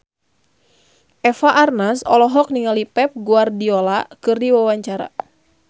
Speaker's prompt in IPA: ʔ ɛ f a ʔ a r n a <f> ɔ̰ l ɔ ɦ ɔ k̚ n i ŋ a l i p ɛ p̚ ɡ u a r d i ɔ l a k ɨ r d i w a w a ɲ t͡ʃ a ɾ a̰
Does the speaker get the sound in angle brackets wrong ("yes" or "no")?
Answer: yes